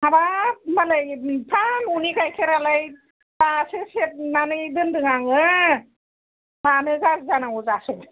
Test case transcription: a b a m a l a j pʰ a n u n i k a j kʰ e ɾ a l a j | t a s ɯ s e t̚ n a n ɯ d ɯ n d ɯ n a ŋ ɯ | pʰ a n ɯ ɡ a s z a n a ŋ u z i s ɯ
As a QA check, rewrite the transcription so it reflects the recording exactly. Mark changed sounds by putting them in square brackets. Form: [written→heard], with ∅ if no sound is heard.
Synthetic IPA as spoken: a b a m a l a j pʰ a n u n i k a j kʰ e ɾ a l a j | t a s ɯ s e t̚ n a n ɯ d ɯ n d ɯ [n→ŋ] a ŋ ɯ | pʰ a n ɯ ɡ a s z a n a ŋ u z [i→a] s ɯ